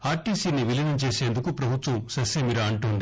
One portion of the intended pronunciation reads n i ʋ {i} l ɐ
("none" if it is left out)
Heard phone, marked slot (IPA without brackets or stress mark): i